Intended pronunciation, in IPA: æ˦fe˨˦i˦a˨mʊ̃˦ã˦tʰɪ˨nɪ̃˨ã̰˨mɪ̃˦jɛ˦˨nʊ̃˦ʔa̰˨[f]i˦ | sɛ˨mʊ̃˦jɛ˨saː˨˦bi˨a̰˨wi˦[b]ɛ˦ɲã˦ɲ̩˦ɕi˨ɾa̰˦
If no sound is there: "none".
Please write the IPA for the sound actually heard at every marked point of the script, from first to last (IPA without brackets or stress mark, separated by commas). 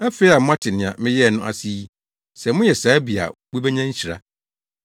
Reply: s, b